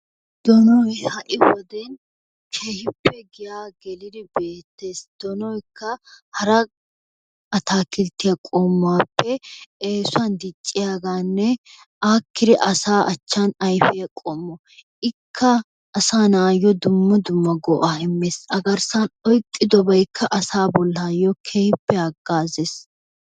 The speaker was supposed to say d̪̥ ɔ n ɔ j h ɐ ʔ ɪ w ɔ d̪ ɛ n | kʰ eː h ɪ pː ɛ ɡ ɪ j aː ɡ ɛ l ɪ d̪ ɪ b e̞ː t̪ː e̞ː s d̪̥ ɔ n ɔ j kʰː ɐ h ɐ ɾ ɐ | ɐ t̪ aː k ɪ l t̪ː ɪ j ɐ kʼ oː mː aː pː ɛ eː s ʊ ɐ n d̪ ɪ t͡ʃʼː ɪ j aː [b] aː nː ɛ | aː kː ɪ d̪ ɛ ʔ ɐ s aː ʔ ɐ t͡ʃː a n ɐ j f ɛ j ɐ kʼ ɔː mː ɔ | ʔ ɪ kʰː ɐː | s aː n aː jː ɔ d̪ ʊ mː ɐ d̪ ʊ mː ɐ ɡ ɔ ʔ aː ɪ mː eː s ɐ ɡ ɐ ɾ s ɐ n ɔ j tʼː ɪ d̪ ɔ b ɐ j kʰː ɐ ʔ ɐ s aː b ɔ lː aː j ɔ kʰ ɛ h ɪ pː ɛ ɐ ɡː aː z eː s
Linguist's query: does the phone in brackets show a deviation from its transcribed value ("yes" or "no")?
yes